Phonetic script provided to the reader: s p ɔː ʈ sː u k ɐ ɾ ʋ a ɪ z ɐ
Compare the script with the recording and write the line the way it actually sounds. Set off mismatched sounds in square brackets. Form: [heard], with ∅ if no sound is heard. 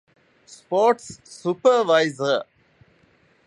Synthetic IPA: s p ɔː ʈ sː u [p] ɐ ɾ ʋ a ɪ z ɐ